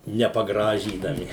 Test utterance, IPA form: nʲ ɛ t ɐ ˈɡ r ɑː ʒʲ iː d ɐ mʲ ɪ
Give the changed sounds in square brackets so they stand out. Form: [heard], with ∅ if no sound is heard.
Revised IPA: nʲ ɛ [p] ɐ ˈɡ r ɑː ʒʲ iː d ɐ mʲ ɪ